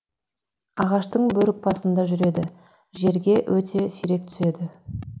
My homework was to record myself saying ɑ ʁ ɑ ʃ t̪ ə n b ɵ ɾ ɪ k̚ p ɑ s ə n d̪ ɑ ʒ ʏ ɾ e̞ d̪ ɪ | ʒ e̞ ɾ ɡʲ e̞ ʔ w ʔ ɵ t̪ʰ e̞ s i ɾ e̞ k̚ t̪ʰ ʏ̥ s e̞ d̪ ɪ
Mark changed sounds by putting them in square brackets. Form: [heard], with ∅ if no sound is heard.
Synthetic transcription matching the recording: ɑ ʁ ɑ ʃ t̪ ə [ɴ] b ɵ ɾ ɪ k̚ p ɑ s ə n d̪ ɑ ʒ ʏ ɾ e̞ d̪ ɪ | ʒ e̞ ɾ ɡʲ e̞ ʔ w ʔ ɵ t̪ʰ e̞ s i ɾ e̞ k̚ t̪ʰ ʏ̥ s e̞ d̪ ɪ